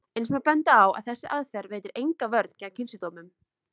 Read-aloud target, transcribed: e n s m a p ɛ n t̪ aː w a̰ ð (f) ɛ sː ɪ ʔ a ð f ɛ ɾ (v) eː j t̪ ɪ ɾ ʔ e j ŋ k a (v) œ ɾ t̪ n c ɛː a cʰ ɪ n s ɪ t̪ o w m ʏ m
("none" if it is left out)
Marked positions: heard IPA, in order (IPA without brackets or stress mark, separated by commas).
θ, v, v